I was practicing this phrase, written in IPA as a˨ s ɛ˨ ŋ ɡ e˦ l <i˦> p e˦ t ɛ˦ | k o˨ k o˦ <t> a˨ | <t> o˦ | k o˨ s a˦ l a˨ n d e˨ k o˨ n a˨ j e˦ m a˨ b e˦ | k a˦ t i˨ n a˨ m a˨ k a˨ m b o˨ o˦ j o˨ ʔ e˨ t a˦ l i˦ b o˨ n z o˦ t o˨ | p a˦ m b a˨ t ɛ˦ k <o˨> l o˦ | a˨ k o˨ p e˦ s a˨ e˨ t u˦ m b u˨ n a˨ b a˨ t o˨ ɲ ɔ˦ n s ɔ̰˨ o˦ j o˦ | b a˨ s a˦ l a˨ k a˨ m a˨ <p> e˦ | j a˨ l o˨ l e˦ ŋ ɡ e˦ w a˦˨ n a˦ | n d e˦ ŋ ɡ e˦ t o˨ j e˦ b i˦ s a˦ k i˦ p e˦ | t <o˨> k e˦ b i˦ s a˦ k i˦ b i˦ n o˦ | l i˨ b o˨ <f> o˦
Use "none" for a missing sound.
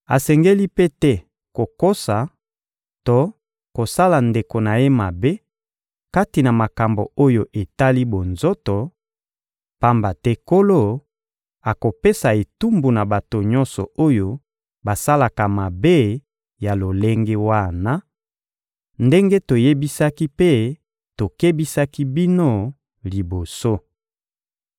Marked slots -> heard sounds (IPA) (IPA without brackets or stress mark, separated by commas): i˦, s, t, o˦, b, o˨, s